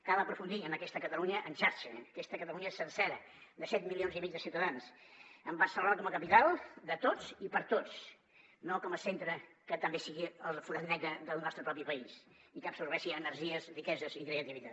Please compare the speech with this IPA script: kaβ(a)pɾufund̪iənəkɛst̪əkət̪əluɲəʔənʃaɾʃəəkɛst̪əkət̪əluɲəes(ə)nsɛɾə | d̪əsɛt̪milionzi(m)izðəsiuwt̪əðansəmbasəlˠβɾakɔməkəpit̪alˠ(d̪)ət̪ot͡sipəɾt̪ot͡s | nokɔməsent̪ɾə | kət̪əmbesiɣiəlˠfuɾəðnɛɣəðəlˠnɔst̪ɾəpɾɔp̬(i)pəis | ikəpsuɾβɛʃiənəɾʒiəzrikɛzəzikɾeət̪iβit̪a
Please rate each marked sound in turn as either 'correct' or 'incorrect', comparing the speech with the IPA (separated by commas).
incorrect, correct, correct, correct, correct